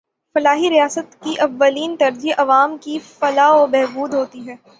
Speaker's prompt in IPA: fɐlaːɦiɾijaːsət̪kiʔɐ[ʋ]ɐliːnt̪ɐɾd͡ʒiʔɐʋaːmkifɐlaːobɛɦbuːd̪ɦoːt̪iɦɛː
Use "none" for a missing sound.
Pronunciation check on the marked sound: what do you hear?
ʋː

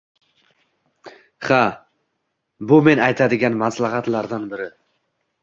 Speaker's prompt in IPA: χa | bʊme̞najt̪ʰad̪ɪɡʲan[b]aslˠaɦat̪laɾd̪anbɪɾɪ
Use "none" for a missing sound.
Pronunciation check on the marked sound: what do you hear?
m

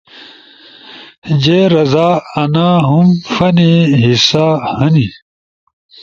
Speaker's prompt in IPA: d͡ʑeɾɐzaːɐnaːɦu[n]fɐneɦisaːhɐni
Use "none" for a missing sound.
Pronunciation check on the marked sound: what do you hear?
m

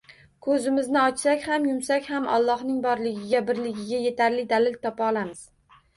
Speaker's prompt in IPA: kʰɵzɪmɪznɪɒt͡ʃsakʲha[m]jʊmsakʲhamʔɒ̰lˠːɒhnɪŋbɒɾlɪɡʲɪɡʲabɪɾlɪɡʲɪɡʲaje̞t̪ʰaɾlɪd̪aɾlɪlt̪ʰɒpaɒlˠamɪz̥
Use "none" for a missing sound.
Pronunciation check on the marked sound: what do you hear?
m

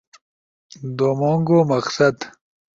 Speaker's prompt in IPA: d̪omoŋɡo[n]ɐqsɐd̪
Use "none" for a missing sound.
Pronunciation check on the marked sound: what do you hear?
m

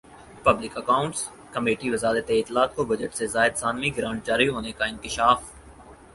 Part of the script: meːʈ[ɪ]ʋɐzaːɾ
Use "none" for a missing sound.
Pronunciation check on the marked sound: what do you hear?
i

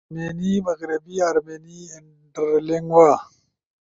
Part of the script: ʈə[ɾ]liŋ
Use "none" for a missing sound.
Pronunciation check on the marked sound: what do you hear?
ɾ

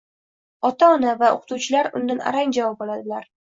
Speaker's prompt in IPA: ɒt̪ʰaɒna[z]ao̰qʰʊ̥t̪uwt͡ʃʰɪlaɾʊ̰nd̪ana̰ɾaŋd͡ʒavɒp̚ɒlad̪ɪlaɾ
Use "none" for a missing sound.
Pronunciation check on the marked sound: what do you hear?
v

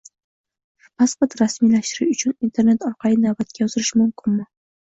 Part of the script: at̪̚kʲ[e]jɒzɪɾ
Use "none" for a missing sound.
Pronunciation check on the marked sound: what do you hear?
a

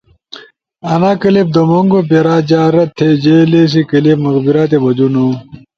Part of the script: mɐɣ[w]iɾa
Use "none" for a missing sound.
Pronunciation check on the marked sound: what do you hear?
b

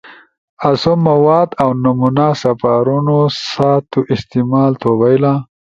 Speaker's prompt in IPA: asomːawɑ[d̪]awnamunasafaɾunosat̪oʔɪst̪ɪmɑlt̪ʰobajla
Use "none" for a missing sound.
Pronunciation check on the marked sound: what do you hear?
d̪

